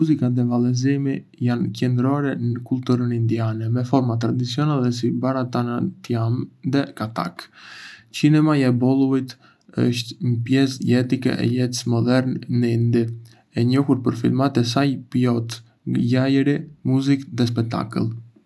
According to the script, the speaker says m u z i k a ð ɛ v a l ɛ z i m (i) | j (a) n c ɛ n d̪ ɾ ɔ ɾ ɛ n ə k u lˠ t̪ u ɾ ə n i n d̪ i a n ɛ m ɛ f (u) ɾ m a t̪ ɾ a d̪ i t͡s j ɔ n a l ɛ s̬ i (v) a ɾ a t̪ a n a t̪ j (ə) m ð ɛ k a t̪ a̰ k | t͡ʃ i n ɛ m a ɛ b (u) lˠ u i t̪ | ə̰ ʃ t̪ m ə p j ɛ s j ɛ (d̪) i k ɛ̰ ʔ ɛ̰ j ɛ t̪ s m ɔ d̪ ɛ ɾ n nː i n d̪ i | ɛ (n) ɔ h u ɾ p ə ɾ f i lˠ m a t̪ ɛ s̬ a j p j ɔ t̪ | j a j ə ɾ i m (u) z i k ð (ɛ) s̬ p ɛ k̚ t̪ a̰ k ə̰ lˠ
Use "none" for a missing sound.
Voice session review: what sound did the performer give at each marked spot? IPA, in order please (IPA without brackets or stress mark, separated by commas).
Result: i, a, ɔ, b, a, ɔ, t̪, ɲ, u, ɛ